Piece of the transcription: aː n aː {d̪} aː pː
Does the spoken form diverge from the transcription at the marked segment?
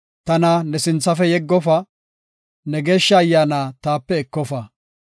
yes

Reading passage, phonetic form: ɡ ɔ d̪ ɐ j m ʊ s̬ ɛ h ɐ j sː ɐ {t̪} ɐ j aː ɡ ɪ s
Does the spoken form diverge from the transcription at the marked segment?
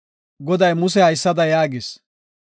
yes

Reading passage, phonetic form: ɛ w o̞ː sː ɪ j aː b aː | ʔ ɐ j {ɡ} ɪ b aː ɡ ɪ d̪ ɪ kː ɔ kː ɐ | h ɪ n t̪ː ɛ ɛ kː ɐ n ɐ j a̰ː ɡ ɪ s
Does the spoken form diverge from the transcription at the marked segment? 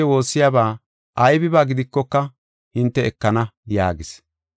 yes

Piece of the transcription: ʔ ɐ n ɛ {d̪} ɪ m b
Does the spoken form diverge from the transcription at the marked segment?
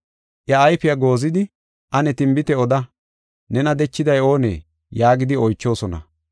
yes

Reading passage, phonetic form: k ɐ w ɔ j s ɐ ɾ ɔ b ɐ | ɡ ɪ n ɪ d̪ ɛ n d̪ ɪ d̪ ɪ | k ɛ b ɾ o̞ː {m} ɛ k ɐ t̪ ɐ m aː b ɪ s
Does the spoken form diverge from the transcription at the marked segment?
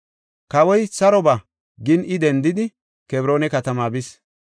yes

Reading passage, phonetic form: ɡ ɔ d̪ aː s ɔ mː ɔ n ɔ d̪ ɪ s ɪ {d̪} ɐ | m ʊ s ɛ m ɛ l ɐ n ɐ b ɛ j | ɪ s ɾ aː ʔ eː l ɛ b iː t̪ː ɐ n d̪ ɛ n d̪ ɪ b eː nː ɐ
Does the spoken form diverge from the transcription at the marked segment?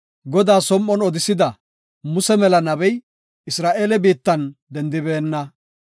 no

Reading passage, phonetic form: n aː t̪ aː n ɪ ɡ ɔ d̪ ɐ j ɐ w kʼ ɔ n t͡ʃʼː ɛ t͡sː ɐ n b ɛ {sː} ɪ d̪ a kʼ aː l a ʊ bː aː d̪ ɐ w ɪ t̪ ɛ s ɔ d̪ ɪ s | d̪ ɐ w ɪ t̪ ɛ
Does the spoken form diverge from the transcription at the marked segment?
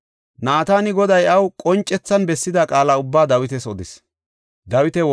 no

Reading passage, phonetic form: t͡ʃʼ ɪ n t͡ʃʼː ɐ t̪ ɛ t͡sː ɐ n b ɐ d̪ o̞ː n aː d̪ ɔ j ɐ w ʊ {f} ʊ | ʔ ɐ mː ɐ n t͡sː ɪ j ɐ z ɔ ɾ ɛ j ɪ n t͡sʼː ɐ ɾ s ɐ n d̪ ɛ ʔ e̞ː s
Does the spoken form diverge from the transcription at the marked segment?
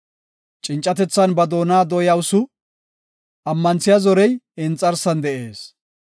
yes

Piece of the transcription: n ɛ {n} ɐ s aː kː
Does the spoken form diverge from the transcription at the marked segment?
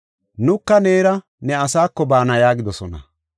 yes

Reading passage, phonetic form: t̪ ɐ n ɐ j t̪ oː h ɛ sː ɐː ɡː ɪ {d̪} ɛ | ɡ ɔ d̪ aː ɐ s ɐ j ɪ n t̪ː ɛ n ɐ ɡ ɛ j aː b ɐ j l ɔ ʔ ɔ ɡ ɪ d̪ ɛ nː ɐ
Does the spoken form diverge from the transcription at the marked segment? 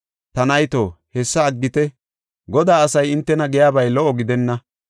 yes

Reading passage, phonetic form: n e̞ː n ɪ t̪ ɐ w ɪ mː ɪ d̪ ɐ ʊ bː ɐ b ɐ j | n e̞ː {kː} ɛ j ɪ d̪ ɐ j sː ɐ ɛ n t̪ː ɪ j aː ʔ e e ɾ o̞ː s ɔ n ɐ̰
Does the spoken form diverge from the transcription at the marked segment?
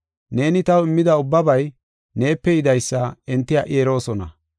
yes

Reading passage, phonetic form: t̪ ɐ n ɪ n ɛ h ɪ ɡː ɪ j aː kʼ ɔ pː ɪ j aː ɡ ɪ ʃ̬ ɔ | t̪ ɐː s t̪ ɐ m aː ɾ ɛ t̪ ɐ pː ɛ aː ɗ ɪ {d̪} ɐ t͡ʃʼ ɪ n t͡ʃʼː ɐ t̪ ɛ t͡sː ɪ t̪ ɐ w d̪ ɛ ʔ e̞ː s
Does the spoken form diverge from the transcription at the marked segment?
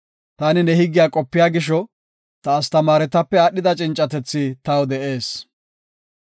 no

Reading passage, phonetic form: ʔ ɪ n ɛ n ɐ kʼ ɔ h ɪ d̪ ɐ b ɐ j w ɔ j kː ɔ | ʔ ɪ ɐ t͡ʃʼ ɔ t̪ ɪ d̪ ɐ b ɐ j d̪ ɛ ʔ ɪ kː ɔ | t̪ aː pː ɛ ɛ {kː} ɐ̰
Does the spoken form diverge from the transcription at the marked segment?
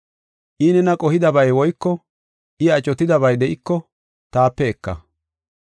no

